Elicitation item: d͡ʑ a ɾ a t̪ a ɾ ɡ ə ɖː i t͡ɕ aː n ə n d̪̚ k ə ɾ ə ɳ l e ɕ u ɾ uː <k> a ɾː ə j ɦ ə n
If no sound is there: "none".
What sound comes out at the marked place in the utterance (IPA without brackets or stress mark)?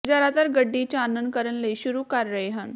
k